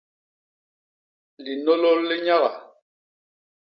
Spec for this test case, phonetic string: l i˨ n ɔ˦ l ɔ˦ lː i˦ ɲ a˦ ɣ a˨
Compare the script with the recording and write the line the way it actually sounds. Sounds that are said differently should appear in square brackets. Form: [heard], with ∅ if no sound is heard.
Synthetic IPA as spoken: l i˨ n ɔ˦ l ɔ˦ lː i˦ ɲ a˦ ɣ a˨